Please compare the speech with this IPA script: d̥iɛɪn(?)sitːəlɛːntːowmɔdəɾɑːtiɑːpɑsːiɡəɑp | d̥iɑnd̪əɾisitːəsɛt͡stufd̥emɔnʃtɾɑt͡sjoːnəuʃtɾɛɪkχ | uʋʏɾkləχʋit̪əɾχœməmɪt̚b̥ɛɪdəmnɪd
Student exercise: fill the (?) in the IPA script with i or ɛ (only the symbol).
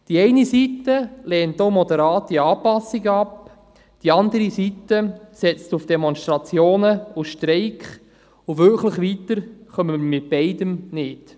i